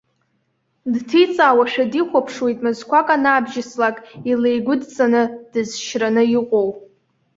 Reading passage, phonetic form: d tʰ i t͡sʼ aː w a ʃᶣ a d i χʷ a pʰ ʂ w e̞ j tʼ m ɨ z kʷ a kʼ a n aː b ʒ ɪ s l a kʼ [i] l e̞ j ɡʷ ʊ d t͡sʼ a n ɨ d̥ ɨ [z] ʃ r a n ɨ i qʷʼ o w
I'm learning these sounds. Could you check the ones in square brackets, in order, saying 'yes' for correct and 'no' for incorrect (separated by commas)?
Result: yes, yes